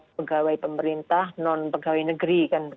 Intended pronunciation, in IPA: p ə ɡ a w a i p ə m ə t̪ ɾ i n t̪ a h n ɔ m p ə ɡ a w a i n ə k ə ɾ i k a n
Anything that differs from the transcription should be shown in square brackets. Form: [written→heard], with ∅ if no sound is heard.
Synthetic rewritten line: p ə ɡ a w a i p ə m ə [t̪→∅] ɾ i n t̪ a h n ɔ [m→n] p ə ɡ a w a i n ə [k→ɡ] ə ɾ i k a n